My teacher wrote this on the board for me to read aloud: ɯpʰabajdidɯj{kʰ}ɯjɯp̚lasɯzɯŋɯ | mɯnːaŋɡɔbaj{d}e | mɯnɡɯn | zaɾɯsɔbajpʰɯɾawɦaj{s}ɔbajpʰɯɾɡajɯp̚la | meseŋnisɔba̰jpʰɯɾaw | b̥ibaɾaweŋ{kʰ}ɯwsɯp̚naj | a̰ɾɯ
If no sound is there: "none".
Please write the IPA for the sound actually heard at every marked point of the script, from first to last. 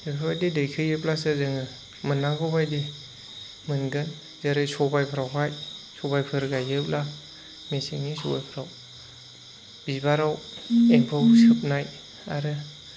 kʰ, d, s, pʰ

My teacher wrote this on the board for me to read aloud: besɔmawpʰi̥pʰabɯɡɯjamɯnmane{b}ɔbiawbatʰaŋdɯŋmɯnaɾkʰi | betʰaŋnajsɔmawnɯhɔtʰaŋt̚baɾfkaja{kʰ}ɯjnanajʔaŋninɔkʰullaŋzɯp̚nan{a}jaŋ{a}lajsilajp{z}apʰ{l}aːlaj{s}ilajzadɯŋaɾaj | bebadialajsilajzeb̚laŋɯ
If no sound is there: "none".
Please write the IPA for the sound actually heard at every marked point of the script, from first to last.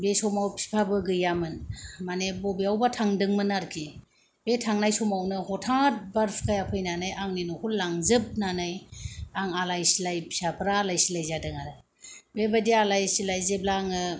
b, pʰ, a, a, s, ɾ, s

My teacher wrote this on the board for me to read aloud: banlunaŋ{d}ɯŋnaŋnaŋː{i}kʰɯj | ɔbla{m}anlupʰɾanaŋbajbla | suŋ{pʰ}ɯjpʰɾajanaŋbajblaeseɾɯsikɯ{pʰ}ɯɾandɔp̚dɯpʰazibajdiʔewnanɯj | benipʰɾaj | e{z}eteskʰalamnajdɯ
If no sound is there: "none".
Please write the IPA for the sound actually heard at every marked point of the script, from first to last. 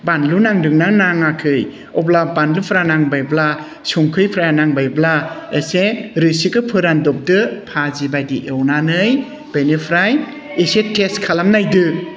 d, a, b, kʰ, pʰ, s

